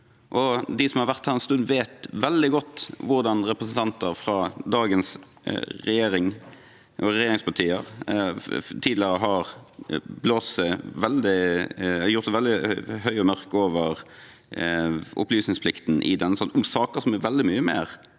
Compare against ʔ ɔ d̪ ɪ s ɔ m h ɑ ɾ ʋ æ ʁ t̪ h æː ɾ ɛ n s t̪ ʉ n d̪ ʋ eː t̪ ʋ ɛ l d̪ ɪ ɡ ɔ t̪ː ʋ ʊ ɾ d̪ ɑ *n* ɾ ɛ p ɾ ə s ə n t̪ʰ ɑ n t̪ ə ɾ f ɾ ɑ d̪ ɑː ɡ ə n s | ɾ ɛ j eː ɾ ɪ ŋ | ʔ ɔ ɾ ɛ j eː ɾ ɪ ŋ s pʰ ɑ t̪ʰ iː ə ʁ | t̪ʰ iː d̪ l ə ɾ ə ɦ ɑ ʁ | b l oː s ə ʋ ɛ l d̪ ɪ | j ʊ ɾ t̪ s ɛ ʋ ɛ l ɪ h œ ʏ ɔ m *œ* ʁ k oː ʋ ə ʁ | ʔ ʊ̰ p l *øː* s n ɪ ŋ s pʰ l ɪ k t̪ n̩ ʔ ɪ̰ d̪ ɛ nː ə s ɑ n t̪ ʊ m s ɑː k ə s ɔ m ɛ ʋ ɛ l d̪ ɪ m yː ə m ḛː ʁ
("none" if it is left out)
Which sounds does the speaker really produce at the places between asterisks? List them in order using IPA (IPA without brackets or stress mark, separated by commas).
n, œ, yː